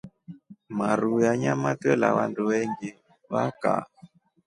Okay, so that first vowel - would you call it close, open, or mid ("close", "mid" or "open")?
open